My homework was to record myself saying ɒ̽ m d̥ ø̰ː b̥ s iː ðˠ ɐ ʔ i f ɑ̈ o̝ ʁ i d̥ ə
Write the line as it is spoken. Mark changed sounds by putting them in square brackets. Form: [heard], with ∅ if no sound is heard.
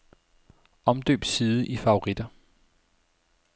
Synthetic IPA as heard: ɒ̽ m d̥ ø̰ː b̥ s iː ðˠ [ə] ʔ i f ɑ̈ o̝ ʁ i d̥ [ɐ]